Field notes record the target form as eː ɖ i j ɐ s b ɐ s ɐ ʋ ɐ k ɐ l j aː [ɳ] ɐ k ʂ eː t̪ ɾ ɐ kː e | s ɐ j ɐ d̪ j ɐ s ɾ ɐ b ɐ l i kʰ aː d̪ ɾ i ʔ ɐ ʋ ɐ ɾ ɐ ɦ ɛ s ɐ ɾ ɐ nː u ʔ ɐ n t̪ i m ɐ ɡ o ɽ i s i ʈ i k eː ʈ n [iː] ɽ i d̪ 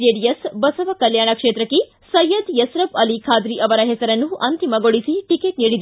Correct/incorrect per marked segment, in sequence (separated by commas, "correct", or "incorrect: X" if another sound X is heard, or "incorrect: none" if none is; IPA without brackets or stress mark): correct, correct